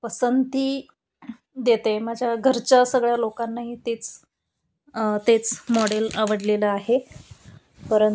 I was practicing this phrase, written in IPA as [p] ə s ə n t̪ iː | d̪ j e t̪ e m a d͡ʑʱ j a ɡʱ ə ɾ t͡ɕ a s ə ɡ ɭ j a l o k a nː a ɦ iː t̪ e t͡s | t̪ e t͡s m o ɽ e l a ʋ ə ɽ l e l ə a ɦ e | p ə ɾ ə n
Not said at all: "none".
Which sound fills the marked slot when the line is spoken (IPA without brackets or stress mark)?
p